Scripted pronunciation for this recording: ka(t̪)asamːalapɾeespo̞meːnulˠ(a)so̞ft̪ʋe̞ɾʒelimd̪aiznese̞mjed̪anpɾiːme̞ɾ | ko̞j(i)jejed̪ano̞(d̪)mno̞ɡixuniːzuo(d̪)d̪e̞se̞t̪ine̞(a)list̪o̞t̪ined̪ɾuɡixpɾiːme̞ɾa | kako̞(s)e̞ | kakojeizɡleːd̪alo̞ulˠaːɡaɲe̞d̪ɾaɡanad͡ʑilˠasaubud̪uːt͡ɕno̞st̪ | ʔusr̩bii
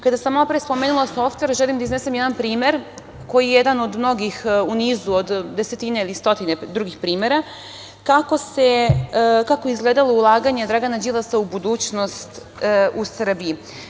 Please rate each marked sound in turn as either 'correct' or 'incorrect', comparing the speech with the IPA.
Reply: incorrect: d̪, correct, correct, correct, correct, incorrect: i, correct

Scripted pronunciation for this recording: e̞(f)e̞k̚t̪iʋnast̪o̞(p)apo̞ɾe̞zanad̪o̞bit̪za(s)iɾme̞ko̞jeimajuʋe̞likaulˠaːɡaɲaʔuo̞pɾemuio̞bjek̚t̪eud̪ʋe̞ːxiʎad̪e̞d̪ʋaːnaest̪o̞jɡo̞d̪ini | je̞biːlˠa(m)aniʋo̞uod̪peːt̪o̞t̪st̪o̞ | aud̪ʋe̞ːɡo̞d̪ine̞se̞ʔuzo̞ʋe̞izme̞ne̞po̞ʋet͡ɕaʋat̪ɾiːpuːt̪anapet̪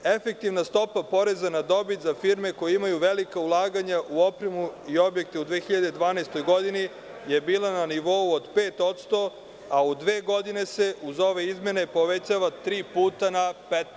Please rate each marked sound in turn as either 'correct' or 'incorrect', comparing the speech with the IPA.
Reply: correct, correct, incorrect: f, incorrect: n

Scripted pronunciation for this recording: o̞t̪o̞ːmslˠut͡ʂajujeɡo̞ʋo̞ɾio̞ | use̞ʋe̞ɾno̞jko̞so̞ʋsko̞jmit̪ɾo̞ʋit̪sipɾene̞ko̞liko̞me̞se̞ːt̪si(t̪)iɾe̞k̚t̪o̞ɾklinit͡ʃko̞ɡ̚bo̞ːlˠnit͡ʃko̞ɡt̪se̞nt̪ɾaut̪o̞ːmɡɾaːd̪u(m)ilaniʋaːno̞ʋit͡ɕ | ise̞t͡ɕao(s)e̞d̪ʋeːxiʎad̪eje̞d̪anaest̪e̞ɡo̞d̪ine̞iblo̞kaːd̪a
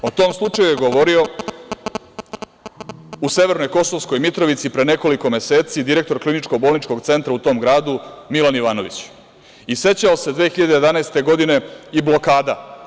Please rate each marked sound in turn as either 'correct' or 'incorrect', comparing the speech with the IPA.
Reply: incorrect: d̪, correct, correct

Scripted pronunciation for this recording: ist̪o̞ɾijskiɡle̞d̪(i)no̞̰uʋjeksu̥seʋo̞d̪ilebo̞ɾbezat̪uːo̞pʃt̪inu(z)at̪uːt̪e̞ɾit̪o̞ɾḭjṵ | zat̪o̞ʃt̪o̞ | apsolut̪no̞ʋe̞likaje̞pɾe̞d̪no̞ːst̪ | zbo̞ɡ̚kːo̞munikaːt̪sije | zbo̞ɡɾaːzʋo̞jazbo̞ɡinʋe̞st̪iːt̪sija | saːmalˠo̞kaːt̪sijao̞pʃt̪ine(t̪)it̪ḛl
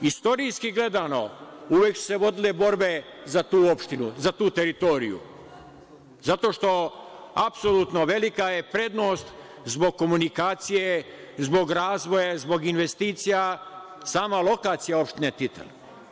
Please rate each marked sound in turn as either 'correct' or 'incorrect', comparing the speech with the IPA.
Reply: incorrect: a, correct, correct

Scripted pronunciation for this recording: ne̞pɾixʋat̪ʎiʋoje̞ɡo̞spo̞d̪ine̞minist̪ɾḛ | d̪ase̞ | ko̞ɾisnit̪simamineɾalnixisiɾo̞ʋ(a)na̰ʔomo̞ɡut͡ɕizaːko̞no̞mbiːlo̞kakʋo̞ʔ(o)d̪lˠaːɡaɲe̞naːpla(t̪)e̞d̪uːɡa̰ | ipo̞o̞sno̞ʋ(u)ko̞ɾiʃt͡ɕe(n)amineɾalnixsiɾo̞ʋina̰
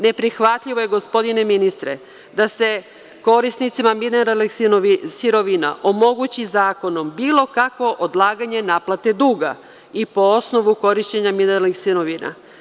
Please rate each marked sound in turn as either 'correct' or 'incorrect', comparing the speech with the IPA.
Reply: incorrect: i, correct, correct, correct, incorrect: ɲ

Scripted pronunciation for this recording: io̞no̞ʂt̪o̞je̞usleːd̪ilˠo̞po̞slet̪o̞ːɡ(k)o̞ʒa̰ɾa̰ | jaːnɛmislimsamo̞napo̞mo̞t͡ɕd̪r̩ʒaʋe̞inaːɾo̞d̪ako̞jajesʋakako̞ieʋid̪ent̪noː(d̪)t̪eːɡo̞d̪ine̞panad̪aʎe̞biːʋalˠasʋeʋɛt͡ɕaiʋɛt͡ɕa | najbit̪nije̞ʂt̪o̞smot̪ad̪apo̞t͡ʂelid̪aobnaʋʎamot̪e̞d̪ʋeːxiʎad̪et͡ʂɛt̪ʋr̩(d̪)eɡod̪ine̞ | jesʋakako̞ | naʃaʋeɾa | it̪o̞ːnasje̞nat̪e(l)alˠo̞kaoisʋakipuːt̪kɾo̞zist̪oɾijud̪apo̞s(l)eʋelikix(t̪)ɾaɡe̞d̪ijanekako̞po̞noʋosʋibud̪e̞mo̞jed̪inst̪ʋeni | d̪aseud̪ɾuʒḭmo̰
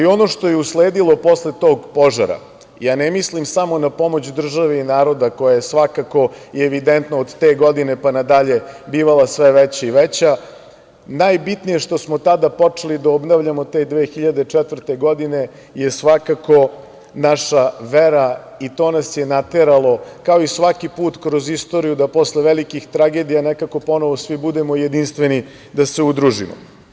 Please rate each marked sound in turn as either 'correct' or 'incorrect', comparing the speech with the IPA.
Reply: incorrect: p, correct, incorrect: t̪, incorrect: ɾ, correct, correct

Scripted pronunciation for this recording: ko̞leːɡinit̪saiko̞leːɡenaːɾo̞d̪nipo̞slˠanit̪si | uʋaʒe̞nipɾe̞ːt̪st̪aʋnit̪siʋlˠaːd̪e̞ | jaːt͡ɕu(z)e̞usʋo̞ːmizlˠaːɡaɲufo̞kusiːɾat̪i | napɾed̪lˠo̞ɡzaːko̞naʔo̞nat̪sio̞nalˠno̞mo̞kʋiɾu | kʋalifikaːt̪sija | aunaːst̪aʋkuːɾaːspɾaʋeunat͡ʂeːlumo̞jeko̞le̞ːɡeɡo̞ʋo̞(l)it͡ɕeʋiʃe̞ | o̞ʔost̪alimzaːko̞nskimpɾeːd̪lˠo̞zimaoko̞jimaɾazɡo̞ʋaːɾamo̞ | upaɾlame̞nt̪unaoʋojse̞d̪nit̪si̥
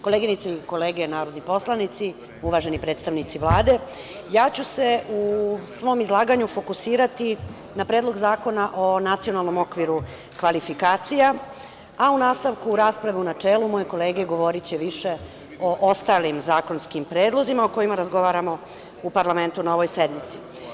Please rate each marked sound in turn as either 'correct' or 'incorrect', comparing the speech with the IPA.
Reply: incorrect: s, incorrect: ɾ

